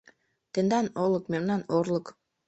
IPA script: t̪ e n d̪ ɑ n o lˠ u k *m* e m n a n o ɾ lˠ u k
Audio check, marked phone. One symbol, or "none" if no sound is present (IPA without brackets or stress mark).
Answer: m